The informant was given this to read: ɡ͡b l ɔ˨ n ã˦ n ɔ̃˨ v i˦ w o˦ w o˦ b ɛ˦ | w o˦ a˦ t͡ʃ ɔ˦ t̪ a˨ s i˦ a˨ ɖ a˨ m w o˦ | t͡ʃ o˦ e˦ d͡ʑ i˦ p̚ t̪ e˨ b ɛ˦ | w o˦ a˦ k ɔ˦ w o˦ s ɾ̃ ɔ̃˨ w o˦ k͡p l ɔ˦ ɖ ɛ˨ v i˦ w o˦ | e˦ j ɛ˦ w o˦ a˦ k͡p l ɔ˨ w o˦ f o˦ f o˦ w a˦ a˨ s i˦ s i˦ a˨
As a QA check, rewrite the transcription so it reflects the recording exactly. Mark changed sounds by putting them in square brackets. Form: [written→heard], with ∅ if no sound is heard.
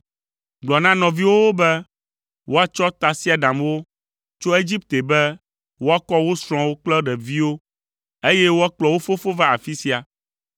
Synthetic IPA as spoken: ɡ͡b l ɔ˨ n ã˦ n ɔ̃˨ v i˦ w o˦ w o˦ b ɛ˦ | w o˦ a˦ t͡ʃ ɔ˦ t̪ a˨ s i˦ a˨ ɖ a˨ m w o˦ | t͡ʃ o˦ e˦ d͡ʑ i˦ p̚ t̪ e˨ b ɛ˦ | w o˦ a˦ k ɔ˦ w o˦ s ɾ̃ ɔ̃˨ w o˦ k͡p l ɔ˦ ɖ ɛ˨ v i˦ w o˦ | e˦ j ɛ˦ w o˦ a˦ k͡p l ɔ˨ w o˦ f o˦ f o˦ [w→v] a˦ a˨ [s→f] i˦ s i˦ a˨